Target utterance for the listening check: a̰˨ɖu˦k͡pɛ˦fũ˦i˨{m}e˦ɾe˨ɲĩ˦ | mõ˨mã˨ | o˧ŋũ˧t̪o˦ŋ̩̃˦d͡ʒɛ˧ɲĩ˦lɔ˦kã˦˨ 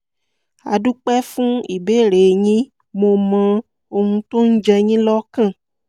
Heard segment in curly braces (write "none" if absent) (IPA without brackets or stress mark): b